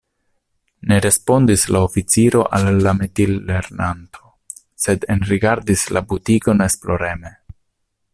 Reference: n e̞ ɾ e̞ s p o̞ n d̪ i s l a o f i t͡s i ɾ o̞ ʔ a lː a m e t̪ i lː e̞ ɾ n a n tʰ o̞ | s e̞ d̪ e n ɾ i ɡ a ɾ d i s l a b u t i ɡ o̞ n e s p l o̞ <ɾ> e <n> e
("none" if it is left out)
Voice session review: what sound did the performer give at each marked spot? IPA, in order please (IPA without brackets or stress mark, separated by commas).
ɾ, m